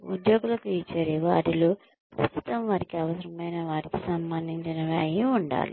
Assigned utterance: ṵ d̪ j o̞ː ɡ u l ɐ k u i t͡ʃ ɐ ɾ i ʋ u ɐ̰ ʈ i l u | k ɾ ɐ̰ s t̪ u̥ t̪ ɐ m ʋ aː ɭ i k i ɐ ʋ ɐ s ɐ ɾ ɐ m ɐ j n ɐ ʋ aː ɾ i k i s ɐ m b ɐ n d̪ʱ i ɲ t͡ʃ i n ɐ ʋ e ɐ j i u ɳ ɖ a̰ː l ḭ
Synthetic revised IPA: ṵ d̪ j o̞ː ɡ u l ɐ k u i t͡ʃ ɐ ɾ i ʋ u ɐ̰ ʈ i l u | k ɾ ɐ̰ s t̪ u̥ t̪ ɐ m ʋ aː ɾ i k i ɐ ʋ ɐ s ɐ ɾ ɐ m ɐ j n ɐ ʋ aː ɾ i k i s ɐ m b ɐ n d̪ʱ i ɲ t͡ʃ i n ɐ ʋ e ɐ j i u ɳ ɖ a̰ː l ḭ